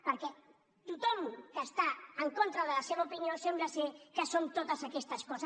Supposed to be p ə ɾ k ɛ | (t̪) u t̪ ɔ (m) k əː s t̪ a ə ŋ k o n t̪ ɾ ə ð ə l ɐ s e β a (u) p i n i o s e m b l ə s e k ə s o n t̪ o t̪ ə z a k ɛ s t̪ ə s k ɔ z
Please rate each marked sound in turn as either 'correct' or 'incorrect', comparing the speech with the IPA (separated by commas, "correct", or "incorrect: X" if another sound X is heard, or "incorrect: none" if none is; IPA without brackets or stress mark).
correct, correct, correct